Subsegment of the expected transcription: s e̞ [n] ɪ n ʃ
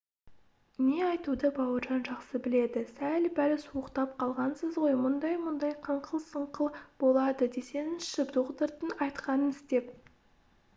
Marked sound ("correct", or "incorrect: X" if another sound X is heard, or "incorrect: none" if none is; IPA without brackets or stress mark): correct